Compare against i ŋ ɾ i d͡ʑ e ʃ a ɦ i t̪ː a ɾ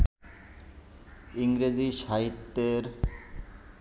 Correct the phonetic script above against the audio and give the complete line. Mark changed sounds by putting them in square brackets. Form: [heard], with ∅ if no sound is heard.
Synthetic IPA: i ŋ ɾ [e] d͡ʑ [i] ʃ a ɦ i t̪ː [e] ɾ